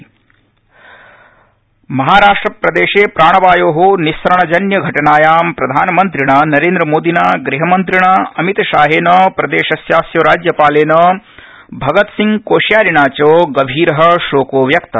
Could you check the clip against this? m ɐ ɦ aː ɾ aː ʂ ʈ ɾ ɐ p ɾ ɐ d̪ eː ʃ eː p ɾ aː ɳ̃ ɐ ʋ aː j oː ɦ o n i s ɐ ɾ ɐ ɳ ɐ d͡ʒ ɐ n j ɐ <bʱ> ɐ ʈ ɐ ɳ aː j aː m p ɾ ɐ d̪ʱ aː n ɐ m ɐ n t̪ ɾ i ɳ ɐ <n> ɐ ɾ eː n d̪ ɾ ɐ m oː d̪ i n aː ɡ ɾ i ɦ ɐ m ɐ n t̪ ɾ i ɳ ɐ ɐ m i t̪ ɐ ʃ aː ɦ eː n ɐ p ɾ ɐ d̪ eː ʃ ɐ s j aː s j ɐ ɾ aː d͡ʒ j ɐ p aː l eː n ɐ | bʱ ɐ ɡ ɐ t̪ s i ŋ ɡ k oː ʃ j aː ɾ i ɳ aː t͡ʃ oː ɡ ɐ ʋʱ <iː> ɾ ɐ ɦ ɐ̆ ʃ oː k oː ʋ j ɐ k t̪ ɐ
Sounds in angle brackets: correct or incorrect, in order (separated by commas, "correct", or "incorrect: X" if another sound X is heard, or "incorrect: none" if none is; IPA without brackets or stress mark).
incorrect: ɡʱ, correct, correct